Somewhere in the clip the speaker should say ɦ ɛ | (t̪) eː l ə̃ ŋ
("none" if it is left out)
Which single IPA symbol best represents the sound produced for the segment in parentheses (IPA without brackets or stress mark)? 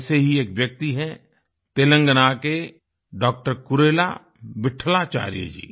t̪